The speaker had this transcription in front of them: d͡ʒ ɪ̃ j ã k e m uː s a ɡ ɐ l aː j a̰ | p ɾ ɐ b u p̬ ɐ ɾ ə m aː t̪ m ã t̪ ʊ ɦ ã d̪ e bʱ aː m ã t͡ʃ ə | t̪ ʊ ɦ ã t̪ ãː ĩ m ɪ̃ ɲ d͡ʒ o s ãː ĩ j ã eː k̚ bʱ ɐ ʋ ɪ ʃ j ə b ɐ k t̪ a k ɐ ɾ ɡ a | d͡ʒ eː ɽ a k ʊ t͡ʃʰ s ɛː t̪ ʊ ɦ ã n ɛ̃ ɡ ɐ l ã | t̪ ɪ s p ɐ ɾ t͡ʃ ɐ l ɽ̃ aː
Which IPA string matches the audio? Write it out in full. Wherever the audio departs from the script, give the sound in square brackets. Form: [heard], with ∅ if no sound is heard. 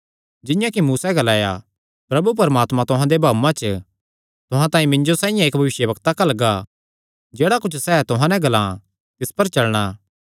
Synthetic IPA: d͡ʒ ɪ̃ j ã k [i] m uː s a ɡ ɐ l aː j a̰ | p ɾ ɐ b u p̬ ɐ ɾ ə m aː t̪ m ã t̪ ʊ ɦ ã d̪ e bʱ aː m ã t͡ʃ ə | t̪ ʊ ɦ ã t̪ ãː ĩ m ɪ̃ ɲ d͡ʒ o s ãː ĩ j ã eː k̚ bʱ ɐ ʋ ɪ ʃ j ə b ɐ k t̪ a k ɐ [l] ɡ a | d͡ʒ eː ɽ a k ʊ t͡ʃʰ s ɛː t̪ ʊ ɦ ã n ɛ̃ ɡ ɐ l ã | t̪ ɪ s p ɐ ɾ t͡ʃ ɐ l ɽ̃ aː